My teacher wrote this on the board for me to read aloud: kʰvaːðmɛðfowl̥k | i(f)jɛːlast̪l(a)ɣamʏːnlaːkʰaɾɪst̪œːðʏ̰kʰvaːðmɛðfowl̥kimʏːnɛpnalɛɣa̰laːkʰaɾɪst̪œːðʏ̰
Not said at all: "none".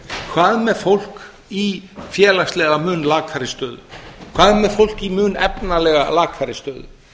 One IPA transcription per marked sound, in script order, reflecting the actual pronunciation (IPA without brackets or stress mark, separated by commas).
f, ɛ